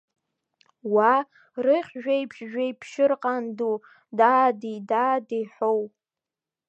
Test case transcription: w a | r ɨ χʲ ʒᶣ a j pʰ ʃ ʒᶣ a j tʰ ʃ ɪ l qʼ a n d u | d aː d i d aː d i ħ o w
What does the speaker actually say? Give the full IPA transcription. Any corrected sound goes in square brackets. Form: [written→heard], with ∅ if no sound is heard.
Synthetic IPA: w a | r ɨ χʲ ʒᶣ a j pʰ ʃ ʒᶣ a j [tʰ→pʰ] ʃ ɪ [l→r] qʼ a n d u | d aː d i d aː d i ħ o w